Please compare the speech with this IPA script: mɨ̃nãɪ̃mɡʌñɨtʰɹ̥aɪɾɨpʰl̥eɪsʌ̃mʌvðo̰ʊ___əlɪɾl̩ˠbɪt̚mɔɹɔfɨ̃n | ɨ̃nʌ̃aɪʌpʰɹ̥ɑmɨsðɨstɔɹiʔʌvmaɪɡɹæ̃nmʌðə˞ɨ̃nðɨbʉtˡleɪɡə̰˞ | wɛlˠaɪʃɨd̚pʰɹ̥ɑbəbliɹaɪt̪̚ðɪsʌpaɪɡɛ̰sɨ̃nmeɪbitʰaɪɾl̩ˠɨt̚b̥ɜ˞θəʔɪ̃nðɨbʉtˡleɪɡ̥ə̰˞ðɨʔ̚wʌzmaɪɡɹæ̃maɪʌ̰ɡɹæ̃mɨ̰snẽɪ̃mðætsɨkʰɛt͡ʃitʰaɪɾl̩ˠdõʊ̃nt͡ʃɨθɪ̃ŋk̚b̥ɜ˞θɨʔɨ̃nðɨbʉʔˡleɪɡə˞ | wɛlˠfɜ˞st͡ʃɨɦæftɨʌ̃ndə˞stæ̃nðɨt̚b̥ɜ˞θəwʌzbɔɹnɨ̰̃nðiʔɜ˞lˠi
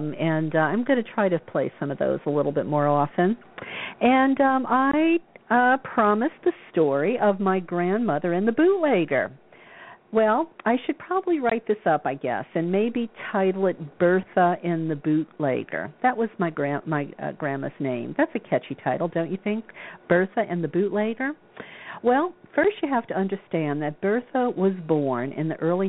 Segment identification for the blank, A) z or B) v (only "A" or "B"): A